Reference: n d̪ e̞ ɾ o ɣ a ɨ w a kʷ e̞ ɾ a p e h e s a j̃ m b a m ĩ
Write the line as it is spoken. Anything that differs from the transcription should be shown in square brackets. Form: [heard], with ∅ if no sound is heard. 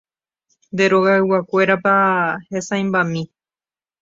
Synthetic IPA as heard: n d̪ e̞ ɾ o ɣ a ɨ w a kʷ e̞ ɾ a p [a] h e s a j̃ m b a m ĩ